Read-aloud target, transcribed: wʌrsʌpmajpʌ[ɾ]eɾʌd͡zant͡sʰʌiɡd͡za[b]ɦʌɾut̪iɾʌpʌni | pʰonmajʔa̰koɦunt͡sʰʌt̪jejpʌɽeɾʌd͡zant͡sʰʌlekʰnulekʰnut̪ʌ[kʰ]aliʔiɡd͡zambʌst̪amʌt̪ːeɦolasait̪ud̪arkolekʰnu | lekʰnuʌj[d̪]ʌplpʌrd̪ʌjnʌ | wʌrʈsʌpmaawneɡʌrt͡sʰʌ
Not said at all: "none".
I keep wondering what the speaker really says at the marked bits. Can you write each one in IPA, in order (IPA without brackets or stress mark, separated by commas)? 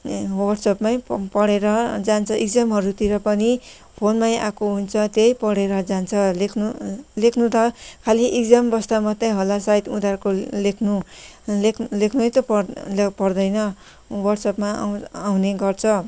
ɽ, m, kʰ, t̪